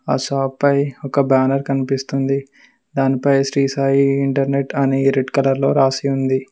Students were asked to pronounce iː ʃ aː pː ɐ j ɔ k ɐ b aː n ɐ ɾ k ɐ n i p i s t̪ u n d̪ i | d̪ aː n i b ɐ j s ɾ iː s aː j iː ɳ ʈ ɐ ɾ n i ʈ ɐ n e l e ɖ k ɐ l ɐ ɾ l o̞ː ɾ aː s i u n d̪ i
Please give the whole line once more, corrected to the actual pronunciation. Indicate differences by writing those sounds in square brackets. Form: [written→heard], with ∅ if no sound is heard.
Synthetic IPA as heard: [iː→aː] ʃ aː pː ɐ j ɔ k ɐ b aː n ɐ ɾ k ɐ n i p i s t̪ u n d̪ i | d̪ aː n i [b→p] ɐ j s ɾ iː s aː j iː ɳ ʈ ɐ ɾ n [i→e] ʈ ɐ n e [l→ɾ] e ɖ k ɐ l ɐ ɾ l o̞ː ɾ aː s i u n d̪ i